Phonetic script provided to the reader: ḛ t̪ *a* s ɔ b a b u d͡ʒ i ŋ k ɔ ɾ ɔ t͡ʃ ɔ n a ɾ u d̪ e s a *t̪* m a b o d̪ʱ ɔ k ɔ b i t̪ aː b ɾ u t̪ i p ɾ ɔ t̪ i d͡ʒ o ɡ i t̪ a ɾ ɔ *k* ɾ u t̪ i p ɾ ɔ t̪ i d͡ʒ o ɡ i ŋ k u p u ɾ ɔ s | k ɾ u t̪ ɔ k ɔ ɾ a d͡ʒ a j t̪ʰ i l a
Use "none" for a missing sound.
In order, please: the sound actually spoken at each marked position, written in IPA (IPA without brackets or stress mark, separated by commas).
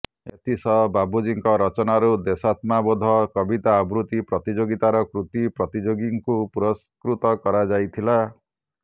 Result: i, t̪, k